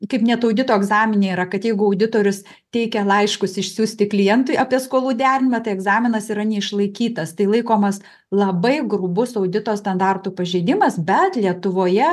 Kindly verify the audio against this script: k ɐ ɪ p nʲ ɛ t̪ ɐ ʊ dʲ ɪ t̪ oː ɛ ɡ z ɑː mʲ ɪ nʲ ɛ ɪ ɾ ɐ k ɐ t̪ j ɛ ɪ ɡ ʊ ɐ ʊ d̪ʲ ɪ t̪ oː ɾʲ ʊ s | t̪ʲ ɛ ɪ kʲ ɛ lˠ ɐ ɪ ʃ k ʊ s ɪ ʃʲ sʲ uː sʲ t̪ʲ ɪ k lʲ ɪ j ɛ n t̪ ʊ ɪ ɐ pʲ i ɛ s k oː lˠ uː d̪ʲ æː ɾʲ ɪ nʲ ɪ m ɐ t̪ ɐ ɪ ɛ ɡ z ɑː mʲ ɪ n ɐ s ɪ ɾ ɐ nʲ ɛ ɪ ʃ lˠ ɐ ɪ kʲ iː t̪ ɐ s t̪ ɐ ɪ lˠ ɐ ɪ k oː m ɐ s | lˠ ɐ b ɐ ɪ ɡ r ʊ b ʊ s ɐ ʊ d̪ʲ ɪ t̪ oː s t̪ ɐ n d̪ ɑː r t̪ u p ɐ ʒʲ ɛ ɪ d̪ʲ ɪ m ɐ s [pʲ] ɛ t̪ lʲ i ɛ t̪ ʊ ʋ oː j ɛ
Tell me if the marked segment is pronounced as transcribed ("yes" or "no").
no